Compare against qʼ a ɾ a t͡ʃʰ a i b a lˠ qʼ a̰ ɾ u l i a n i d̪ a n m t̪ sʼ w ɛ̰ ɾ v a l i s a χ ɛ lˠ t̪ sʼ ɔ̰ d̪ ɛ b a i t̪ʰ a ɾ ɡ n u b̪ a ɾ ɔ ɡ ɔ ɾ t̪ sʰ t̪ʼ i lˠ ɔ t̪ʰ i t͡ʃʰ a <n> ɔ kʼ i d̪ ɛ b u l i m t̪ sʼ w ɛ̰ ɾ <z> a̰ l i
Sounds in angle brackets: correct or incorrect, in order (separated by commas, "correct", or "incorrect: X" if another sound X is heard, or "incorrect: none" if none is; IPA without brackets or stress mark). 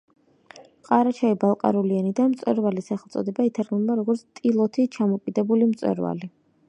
incorrect: m, incorrect: v